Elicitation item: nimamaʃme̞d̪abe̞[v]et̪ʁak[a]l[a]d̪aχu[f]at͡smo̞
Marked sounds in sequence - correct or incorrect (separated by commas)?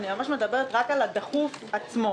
incorrect, correct, correct, correct